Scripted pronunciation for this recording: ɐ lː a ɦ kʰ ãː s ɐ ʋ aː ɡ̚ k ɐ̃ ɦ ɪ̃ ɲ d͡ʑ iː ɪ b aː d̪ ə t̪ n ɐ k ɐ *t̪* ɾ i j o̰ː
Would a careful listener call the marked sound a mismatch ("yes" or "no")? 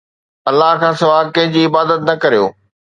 yes